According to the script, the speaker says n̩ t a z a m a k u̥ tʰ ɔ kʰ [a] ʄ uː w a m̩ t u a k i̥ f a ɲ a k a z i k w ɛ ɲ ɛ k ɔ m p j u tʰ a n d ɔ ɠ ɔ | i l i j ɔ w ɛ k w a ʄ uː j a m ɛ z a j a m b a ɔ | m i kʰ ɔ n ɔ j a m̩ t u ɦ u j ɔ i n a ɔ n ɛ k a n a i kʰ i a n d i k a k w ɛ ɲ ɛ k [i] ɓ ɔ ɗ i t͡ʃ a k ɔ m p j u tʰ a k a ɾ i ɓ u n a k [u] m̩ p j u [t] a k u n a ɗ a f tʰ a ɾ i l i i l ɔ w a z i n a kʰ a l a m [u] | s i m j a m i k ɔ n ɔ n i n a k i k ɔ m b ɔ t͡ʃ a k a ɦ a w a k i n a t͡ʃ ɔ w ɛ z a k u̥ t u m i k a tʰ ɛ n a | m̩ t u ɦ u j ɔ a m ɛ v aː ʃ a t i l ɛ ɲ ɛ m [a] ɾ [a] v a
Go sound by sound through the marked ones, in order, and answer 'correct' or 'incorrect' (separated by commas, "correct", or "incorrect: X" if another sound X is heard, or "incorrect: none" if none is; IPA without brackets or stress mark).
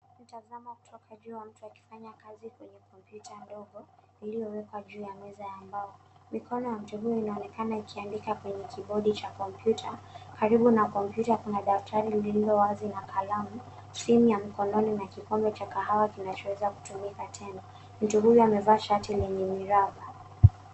correct, correct, incorrect: ɔ, correct, correct, incorrect: i, correct